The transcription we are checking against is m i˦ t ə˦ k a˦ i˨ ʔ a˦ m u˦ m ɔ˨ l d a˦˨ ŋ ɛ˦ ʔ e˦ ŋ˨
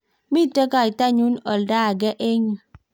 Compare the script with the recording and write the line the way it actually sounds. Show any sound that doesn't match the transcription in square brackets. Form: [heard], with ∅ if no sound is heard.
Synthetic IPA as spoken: m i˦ t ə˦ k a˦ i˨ [t] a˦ [ɲ] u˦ [n] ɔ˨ l d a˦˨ [ɡ] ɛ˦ ʔ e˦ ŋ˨